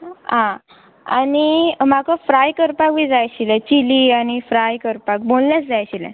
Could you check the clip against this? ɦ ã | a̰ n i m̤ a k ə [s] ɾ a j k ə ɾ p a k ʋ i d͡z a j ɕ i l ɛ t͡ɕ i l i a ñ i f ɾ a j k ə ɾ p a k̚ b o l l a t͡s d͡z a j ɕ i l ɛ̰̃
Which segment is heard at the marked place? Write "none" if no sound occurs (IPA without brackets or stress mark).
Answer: f